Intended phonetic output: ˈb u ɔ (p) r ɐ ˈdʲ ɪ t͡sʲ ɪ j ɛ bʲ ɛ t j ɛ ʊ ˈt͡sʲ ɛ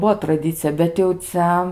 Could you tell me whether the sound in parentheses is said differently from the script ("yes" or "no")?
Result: yes